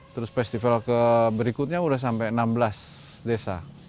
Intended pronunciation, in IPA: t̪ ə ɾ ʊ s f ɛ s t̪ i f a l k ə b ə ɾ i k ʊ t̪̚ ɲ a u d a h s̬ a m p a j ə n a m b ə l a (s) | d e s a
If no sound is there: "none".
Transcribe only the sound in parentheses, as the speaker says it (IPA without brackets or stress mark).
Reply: s